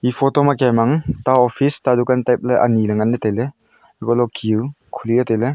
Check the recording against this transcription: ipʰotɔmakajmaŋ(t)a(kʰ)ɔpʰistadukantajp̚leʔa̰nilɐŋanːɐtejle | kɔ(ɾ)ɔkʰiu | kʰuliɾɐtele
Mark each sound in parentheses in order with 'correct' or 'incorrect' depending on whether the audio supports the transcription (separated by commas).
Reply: correct, incorrect, incorrect